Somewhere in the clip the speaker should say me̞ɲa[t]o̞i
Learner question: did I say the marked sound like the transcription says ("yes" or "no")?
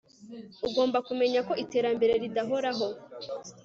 no